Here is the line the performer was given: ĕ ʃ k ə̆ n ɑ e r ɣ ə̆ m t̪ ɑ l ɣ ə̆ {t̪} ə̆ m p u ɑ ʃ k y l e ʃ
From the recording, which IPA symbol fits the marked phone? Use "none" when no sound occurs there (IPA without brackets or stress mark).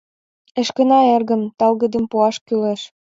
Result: d̪